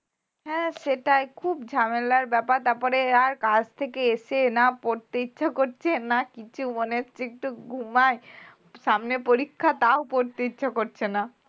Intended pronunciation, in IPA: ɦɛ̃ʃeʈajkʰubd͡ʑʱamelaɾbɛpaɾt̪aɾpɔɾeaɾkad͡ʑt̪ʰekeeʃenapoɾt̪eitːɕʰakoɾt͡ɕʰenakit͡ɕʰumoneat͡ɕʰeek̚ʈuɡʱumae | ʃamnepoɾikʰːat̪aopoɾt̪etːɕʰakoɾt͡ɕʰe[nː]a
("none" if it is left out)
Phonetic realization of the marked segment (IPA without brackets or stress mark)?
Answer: n